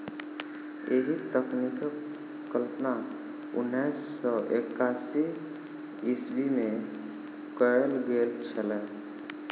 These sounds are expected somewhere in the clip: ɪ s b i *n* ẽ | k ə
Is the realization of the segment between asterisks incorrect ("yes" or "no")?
yes